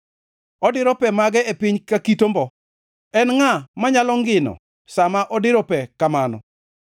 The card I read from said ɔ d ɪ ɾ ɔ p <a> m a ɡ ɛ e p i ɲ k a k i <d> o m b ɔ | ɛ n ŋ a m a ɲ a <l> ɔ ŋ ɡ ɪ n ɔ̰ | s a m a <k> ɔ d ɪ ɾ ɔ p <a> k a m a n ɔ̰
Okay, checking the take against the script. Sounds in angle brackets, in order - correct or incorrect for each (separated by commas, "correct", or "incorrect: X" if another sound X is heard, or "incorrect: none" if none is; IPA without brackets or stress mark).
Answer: incorrect: ɛ, incorrect: t, correct, incorrect: ʔ, incorrect: ɛ